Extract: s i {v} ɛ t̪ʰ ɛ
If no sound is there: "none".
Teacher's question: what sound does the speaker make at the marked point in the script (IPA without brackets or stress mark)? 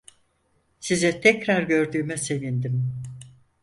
z